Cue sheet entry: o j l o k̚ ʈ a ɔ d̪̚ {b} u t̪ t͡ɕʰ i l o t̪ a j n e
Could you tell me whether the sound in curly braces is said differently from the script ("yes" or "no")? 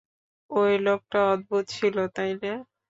no